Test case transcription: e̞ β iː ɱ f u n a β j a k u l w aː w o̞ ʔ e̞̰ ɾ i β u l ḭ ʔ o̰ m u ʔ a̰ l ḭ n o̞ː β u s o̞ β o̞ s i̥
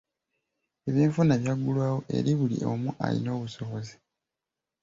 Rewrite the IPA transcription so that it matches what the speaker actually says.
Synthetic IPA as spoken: e̞ β iː ɱ f u n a β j a ɡ u l w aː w o̞ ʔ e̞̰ ɾ i β u l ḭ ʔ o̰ m u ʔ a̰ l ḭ n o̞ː β u s o̞ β o̞ z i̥